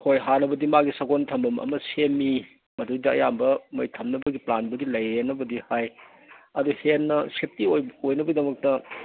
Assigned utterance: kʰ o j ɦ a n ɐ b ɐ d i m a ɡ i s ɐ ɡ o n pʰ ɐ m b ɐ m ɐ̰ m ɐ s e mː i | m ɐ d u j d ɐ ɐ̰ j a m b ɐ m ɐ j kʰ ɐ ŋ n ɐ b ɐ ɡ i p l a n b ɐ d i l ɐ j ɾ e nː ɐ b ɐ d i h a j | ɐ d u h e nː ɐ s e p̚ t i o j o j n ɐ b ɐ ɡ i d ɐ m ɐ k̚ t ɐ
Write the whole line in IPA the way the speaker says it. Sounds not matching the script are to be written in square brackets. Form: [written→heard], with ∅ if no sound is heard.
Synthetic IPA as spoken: kʰ o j ɦ a n ɐ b ɐ d i m a ɡ i s ɐ ɡ o n [pʰ→tʰ] ɐ m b ɐ m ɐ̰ m ɐ s e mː i | m ɐ d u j d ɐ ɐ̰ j a m b ɐ m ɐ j [kʰ→tʰ] ɐ [ŋ→m] n ɐ b ɐ ɡ i p l a n b ɐ d i l ɐ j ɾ e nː ɐ b ɐ d i h a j | ɐ d u h e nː ɐ s e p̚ t i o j o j n ɐ b ɐ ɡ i d ɐ m ɐ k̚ t ɐ